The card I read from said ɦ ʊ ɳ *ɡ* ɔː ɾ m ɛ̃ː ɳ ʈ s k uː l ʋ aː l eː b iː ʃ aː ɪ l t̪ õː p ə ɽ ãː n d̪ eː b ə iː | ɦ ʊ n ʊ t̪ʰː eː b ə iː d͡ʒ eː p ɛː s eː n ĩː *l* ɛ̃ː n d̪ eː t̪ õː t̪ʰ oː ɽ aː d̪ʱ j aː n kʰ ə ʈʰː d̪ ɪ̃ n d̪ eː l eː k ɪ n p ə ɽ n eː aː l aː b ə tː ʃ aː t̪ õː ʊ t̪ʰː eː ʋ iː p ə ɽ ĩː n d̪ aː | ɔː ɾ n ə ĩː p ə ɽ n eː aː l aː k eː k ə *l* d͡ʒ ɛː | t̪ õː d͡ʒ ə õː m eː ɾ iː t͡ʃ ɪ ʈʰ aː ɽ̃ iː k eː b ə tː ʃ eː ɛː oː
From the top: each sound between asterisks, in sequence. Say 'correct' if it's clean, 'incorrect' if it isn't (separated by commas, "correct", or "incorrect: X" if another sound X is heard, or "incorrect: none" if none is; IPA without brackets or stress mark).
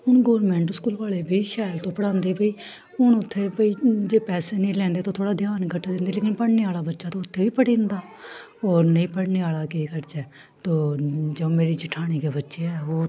correct, correct, incorrect: ɾ